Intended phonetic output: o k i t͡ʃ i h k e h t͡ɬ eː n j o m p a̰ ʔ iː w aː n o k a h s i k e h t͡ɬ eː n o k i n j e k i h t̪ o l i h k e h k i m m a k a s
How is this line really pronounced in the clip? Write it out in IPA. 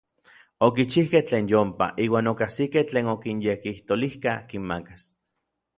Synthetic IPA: o k i t͡ʃ i h k e h t͡ɬ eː n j o m p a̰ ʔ iː w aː n o k a h s i k e h t͡ɬ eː n o k i n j e k i h t̪ o l i h k a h k i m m a k a s